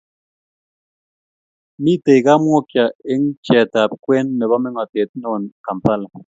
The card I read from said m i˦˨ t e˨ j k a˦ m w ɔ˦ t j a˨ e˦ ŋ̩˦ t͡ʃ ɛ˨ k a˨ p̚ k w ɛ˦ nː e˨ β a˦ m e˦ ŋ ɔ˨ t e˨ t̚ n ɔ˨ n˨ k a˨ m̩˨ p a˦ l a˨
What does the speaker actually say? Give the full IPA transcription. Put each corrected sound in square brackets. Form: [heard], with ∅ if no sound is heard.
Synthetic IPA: m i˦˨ t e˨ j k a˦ m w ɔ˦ [k] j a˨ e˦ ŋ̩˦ t͡ʃ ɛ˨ [t] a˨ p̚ k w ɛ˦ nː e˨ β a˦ m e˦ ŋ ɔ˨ t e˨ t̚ n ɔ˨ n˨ k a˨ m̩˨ p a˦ l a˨

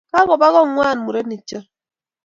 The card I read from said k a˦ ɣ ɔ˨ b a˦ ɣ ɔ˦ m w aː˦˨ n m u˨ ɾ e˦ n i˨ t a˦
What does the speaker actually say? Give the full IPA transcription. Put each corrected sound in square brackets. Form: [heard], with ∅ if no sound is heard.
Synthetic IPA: k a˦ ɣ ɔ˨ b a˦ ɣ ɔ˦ [ŋ] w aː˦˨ n m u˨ ɾ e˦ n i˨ [t͡ʃ] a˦

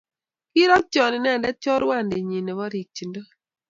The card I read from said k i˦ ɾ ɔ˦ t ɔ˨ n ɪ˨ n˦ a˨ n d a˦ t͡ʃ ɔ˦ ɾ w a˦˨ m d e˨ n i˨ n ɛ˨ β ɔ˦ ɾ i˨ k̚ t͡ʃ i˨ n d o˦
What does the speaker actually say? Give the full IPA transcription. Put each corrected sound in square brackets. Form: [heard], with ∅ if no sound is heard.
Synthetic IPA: k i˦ ɾ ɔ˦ [t͡ʃ] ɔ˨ n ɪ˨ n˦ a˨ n d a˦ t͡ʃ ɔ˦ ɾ w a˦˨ [n] d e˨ [ɲ] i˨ n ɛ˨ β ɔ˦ ɾ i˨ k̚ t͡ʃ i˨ n d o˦

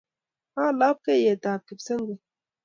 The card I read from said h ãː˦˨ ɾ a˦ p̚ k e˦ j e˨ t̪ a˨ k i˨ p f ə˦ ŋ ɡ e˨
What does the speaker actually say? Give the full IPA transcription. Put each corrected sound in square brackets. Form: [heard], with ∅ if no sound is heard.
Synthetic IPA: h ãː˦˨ [l] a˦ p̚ k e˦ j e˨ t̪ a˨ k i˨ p [s] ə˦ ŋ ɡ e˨

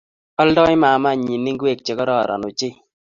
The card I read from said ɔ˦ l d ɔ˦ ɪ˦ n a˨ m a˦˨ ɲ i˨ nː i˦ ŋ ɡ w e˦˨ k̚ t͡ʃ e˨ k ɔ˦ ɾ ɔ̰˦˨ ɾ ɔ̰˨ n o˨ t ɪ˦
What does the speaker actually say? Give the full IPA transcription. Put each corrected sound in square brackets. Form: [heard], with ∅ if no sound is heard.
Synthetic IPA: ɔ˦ l d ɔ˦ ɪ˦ [m] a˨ m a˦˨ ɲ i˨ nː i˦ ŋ ɡ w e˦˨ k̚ t͡ʃ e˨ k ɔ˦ ɾ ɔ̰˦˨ ɾ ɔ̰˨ n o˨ [t͡ʃ] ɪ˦

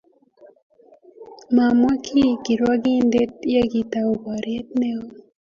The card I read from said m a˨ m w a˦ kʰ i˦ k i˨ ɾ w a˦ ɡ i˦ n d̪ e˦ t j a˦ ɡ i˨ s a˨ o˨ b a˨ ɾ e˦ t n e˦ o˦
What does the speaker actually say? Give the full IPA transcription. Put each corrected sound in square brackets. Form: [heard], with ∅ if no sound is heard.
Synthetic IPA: m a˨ m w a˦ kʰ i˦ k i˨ ɾ w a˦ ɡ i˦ n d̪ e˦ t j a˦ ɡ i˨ [t] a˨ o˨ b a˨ ɾ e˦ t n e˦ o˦

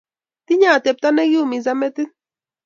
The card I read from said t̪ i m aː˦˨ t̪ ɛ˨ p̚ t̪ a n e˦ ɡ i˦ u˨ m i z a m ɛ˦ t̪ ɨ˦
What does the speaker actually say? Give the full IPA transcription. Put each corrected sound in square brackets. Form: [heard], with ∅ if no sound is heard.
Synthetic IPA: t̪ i [ɲ] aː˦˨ t̪ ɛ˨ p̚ t̪ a n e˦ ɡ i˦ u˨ m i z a m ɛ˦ t̪ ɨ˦

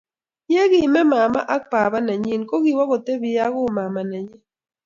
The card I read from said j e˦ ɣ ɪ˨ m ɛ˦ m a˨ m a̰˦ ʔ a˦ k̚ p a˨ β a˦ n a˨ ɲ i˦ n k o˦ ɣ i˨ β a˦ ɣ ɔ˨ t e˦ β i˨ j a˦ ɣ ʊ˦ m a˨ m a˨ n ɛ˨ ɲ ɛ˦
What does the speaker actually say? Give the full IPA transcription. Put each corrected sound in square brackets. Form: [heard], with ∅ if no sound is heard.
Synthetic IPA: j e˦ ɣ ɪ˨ m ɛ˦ m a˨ m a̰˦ ʔ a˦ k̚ p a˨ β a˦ n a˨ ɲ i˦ n k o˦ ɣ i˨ [w] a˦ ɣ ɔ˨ t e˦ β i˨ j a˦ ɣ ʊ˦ m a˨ m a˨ n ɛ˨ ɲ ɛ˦

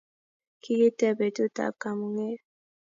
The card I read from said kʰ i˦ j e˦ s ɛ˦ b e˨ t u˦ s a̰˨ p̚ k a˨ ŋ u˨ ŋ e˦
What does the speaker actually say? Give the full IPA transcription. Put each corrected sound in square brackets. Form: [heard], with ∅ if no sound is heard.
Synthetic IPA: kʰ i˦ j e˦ [t] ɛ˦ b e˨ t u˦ [t] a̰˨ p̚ k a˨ [m] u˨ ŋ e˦

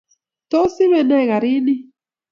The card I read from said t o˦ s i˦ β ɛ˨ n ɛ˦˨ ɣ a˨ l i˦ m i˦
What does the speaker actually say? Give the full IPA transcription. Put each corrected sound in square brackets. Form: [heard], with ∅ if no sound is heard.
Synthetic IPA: t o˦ s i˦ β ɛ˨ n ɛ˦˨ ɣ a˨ [ɾ] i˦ [n] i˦

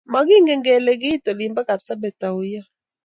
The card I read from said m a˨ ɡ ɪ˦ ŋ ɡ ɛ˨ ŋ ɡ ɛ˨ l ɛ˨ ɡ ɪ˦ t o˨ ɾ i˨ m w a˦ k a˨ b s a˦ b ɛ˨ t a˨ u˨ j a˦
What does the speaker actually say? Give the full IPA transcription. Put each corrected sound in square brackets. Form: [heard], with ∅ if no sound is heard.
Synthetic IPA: m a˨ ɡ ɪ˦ ŋ ɡ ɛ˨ ŋ ɡ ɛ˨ l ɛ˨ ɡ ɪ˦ t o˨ [l] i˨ m [b] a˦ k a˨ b s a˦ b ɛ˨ t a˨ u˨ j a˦

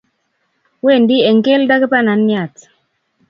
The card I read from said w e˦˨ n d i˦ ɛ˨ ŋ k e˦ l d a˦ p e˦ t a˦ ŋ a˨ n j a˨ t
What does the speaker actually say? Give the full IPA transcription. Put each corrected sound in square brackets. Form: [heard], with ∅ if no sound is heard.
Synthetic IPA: w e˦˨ n d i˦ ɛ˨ ŋ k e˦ l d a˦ [k] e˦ [p] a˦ [n] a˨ n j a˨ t

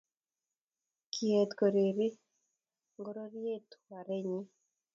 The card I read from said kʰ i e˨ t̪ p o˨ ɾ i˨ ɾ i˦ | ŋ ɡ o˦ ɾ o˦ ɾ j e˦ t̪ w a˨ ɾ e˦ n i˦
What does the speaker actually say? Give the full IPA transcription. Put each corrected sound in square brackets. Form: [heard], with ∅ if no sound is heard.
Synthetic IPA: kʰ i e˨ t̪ [k] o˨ ɾ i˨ ɾ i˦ | ŋ ɡ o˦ ɾ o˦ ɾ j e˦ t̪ w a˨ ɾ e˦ [ɲ] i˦

